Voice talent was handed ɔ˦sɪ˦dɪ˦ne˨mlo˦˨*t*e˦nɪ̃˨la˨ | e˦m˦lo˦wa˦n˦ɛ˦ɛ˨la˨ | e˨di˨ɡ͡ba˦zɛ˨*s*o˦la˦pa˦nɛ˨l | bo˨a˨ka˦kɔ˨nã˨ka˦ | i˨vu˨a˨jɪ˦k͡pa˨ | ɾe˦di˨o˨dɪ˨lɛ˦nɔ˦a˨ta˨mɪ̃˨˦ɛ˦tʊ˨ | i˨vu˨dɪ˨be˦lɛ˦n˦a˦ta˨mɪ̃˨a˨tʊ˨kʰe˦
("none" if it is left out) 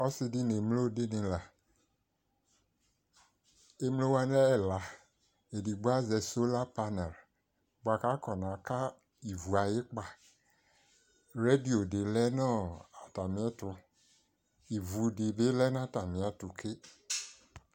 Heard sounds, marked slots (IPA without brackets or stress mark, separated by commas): d, s